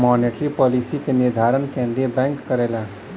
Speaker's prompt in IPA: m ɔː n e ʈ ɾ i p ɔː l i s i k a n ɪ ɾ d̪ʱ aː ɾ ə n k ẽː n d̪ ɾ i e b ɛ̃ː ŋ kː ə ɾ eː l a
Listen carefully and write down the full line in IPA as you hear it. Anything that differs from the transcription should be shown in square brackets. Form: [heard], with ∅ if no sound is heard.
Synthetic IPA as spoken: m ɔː n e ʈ ɾ i p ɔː l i s i k [e] n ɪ ɾ d̪ʱ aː ɾ ə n k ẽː n d̪ ɾ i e b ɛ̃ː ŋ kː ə ɾ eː l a